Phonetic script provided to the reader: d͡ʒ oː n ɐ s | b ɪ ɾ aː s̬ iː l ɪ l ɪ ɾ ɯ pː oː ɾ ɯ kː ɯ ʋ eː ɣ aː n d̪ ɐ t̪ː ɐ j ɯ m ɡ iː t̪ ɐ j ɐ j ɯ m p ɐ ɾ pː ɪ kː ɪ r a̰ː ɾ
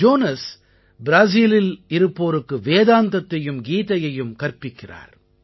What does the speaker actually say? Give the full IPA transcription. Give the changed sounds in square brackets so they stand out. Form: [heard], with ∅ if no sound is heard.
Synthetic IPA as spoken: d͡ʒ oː n ɐ s | b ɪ ɾ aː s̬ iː l ɪ l ɪ ɾ ɯ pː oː ɾ ɯ kː ɯ ʋ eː [ð] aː n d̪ ɐ t̪ː ɐ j ɯ m ɡ iː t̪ ɐ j ɐ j ɯ m [k] ɐ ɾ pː ɪ kː ɪ r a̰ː ɾ